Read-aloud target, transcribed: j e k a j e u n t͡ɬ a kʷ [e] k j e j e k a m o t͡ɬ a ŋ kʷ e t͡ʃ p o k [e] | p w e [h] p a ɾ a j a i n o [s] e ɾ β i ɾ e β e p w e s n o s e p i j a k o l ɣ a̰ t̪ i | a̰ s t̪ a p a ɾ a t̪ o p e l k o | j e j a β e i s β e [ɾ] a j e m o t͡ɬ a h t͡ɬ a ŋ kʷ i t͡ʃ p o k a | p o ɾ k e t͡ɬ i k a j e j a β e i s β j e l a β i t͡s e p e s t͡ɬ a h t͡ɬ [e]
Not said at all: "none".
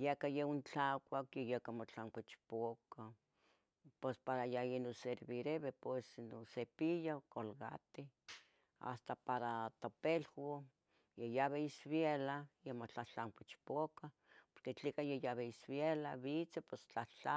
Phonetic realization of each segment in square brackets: a, a, s, s, l, a

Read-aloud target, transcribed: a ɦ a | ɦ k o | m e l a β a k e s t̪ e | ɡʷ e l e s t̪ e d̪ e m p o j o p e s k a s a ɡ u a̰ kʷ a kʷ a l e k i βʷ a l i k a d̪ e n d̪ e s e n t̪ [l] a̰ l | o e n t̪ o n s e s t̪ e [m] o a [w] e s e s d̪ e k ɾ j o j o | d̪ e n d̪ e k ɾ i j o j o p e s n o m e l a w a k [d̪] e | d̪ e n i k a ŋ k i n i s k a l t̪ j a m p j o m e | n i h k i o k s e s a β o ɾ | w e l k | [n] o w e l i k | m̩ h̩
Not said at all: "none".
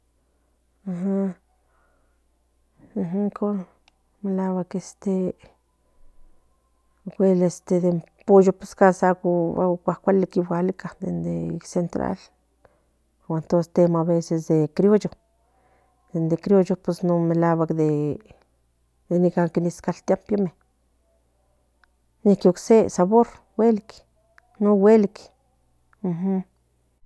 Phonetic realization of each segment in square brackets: ɾ, m, β, d̪, n

